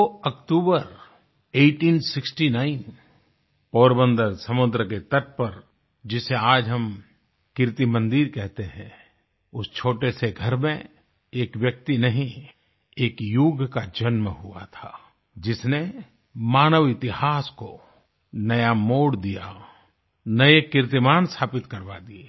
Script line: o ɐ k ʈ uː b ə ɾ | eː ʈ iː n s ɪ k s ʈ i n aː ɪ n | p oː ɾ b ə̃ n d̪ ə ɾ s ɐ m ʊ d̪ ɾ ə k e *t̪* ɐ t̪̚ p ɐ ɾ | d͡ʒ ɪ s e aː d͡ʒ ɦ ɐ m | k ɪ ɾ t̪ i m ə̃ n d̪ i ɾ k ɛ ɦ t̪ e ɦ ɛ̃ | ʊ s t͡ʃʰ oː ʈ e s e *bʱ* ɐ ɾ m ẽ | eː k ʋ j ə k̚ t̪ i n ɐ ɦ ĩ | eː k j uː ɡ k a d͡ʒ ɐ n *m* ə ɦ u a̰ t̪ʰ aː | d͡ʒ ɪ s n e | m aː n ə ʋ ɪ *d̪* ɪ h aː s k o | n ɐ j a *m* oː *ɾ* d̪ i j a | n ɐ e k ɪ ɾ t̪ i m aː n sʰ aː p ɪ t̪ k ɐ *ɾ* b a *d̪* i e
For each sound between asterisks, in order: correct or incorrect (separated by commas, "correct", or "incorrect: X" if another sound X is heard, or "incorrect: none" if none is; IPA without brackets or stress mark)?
correct, incorrect: ɡʱ, correct, incorrect: t̪, correct, incorrect: ɽ, correct, correct